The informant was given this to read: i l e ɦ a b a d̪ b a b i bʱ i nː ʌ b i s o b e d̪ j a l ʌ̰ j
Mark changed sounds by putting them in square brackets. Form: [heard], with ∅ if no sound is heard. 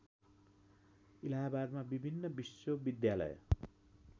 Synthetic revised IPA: i l [a] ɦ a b a d̪ [m] a b i bʱ i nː ʌ b i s o b [i] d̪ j a l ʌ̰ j